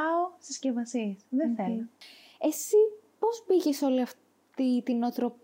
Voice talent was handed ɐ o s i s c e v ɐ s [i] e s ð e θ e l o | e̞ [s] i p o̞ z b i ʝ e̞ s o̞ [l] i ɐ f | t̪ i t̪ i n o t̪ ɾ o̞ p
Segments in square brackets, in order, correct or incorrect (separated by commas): correct, correct, correct